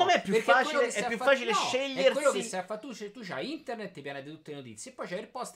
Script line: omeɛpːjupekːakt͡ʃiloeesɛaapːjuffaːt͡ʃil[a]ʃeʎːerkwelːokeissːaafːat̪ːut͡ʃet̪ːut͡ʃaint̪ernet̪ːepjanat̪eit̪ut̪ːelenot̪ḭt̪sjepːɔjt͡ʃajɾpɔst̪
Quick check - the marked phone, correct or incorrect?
incorrect